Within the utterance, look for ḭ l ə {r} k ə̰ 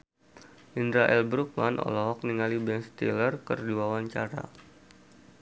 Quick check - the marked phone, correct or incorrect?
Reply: correct